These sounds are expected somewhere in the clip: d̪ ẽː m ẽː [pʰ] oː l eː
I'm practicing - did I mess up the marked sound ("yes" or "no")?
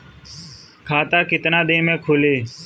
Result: yes